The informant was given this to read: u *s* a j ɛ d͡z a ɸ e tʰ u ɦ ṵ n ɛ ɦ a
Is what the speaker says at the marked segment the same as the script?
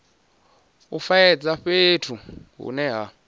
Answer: no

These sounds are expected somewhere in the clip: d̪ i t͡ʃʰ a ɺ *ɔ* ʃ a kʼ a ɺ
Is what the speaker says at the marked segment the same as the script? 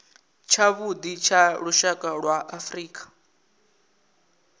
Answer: no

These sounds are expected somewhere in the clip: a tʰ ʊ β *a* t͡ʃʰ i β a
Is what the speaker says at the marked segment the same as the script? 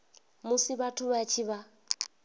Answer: yes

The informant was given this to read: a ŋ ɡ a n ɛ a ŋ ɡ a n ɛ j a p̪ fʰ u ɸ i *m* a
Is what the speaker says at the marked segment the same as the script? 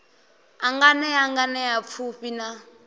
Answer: no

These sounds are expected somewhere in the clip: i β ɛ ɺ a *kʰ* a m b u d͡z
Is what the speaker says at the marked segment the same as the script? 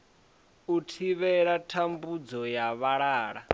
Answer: no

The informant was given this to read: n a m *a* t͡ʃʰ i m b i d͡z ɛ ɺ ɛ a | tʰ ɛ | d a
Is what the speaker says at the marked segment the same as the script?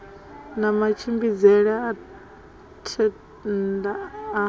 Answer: yes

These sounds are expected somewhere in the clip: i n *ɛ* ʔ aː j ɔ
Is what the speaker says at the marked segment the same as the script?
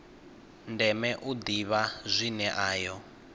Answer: yes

